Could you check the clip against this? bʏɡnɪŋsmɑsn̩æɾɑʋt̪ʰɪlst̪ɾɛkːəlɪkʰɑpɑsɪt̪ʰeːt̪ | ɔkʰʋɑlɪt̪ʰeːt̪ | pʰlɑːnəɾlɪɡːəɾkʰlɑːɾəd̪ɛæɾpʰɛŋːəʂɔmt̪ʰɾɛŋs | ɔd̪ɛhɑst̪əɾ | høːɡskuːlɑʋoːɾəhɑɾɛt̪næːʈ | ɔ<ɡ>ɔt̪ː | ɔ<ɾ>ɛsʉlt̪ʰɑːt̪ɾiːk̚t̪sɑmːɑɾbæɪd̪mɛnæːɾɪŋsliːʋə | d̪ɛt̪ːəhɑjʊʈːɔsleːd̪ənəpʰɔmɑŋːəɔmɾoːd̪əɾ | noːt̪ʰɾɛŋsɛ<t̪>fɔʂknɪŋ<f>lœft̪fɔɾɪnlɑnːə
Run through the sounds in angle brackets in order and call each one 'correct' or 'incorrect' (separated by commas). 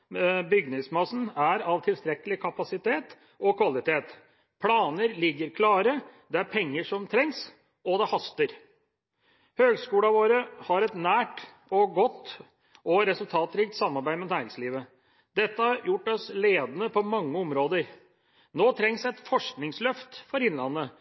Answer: correct, correct, correct, incorrect